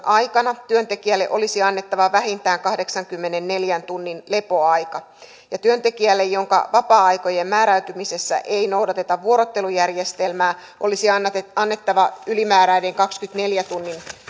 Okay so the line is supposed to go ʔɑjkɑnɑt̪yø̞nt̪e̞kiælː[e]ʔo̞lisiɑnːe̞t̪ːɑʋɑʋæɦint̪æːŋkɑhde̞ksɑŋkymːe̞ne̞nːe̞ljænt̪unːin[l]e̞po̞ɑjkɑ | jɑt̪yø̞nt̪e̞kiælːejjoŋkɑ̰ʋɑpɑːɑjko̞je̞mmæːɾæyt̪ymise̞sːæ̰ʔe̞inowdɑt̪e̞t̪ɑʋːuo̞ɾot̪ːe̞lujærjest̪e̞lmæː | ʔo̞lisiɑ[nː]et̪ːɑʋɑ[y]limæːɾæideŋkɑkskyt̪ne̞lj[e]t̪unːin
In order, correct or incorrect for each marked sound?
correct, correct, correct, correct, incorrect: æ

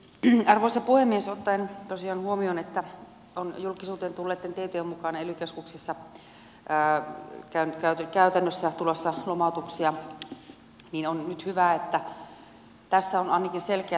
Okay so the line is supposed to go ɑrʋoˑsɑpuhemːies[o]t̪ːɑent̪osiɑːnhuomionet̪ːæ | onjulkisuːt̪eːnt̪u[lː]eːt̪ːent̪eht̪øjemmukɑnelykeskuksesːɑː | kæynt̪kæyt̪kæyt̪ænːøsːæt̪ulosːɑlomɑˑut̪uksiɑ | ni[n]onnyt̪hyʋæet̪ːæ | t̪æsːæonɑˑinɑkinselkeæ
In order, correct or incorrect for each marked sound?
correct, correct, correct

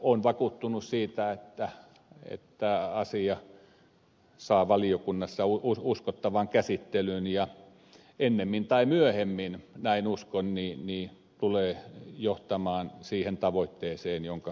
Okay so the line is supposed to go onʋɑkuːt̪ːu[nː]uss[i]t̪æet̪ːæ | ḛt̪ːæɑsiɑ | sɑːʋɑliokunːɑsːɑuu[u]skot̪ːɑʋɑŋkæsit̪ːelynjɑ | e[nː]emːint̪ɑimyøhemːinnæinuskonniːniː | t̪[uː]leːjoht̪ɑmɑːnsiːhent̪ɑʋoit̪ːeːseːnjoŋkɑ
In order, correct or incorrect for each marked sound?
incorrect: n, incorrect: iː, correct, correct, incorrect: u

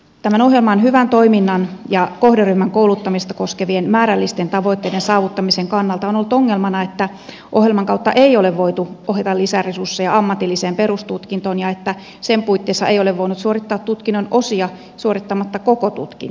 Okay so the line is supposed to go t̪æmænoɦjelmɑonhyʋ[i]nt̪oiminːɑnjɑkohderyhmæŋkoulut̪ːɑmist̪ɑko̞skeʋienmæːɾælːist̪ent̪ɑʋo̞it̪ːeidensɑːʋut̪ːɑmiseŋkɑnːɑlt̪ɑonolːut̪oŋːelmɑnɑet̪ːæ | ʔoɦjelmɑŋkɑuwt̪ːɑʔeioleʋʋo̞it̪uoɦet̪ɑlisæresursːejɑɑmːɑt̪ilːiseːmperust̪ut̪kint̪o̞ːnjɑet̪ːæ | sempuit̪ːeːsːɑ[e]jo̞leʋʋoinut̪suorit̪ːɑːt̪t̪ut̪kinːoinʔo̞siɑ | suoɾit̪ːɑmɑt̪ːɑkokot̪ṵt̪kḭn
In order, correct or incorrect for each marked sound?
incorrect: æ, correct

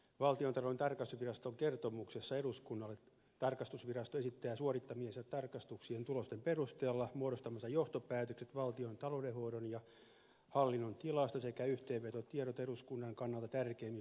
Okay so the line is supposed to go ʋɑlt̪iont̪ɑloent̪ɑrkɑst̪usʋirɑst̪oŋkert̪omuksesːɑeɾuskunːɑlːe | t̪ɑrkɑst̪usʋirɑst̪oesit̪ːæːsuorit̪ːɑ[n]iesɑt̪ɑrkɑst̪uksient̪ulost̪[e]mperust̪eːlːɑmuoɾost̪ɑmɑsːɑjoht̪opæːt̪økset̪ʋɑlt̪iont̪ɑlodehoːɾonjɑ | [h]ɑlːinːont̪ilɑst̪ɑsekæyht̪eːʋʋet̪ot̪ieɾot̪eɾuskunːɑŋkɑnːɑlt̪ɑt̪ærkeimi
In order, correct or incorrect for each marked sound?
incorrect: m, correct, correct

